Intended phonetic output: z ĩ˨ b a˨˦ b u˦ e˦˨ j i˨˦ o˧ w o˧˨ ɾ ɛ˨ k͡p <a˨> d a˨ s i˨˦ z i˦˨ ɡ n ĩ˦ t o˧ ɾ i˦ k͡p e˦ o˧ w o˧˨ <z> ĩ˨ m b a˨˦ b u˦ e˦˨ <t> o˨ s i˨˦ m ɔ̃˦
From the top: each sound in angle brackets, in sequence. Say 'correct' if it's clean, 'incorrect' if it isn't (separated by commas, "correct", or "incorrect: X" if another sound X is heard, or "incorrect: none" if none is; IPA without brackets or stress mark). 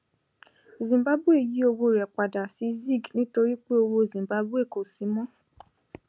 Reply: correct, correct, incorrect: k